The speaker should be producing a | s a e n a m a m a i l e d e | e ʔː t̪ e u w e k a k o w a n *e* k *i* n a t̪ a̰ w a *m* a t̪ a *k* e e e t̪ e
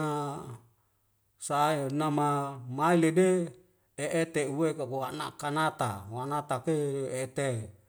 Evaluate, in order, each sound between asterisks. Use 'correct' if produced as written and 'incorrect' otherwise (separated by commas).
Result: incorrect, incorrect, incorrect, correct